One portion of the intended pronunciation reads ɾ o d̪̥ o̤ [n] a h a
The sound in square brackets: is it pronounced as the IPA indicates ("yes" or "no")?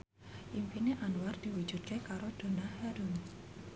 yes